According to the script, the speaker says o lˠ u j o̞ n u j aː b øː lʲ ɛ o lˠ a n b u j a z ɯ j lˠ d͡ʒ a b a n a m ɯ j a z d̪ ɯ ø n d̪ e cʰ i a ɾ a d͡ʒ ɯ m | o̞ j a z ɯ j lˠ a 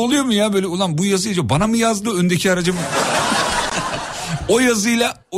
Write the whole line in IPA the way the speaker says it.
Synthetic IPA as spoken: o lˠ u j o̞ m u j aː b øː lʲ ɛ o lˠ a n b u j a z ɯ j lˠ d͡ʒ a b a n a m ɯ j a z d̪ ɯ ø n d̪ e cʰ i a ɾ a d͡ʒ ɯ m | o̞ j a z ɯ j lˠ a